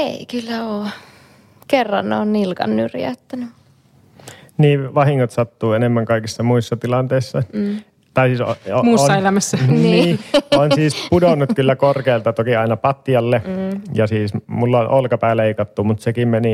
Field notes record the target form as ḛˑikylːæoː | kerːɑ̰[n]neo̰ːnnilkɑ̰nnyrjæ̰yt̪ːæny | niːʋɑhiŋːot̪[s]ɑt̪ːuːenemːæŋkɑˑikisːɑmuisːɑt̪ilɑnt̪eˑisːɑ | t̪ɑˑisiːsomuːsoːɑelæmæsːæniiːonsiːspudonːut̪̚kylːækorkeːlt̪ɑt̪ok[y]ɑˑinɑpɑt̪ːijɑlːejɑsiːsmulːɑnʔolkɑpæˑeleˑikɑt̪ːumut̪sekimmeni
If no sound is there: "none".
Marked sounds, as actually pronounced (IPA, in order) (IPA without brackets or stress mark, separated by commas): n, s, i